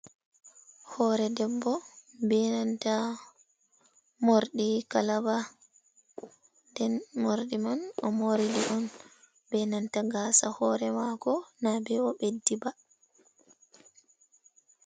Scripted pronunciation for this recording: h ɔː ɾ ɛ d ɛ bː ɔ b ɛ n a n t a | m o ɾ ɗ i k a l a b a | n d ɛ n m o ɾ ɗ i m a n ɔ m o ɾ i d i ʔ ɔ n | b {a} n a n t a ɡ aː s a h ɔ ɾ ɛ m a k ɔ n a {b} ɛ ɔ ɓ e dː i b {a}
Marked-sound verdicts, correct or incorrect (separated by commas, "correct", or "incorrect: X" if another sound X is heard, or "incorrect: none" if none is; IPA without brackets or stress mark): incorrect: ɛ, correct, correct